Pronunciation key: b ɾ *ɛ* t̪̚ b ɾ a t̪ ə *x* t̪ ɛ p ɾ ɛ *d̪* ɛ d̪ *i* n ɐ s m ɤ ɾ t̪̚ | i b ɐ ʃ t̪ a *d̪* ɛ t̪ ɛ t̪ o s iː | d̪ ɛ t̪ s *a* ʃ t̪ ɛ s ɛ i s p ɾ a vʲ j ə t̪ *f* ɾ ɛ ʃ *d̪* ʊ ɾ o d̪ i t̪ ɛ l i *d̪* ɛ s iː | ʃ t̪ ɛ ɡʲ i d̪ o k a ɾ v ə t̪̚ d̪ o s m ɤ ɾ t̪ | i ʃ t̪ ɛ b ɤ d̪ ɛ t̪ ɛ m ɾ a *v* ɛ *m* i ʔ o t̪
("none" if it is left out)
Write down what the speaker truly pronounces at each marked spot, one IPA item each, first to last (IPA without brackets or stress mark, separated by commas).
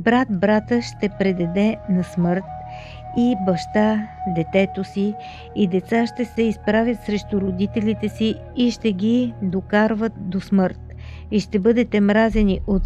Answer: a, ʃ, d̪, ɛ, d̪, a, s, t̪, t̪, z, n